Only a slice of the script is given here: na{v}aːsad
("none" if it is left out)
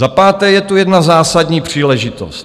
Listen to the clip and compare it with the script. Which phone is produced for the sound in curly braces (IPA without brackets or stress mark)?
z